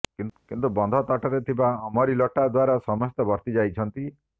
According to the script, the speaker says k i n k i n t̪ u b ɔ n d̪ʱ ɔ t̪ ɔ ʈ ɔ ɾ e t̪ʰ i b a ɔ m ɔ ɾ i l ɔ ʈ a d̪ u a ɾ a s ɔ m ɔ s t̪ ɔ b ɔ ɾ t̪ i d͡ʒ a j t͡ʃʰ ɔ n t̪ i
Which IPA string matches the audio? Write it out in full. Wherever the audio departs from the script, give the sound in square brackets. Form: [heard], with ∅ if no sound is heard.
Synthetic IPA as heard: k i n k i n t̪ u b ɔ n d̪ʱ ɔ t̪ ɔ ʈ ɔ ɾ e t̪ʰ i b a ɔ m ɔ ɾ i l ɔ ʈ a d̪ [w] a ɾ a s ɔ m ɔ s t̪ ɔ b ɔ ɾ t̪ i d͡ʒ a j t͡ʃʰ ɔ n t̪ i